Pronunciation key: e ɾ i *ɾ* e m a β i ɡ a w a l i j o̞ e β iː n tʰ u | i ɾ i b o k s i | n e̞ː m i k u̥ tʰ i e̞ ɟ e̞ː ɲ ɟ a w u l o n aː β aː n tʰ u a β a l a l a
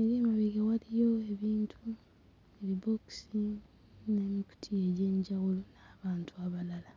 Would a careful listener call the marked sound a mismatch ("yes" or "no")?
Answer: yes